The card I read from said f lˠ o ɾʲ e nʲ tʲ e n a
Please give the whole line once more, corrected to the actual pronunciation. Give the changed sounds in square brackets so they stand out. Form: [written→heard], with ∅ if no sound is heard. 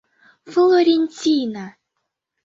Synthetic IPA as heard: f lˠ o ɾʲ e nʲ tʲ [e→i] n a